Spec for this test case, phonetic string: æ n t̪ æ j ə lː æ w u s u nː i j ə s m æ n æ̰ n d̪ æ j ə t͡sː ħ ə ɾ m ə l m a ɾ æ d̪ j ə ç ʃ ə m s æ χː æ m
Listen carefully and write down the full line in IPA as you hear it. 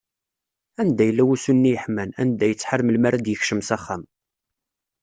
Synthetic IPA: æ n d̪ æ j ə lː æ w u s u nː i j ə ħ m æ n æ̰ n d̪ æ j ə t͡sː ħ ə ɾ m ə l m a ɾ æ d̪ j ə ç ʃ ə m s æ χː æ m